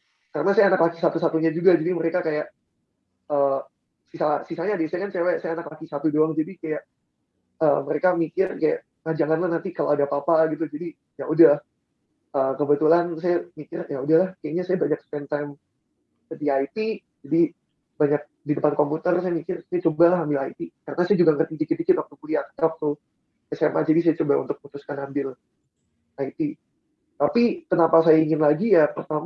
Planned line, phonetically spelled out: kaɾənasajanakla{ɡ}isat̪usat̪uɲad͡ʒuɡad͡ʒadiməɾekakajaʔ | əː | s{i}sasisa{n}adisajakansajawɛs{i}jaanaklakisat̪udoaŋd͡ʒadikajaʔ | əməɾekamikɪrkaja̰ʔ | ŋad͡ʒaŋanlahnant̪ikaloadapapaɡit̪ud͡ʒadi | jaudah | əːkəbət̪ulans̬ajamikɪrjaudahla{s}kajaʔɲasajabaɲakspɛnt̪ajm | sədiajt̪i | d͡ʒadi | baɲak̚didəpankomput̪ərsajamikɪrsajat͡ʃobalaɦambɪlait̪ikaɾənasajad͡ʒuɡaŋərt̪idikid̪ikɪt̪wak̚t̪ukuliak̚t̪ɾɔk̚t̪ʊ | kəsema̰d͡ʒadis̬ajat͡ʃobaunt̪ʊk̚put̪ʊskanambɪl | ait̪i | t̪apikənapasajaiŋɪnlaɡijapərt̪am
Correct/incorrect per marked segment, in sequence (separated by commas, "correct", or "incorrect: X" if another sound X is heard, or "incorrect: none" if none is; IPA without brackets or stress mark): incorrect: k, correct, incorrect: ɲ, incorrect: a, incorrect: h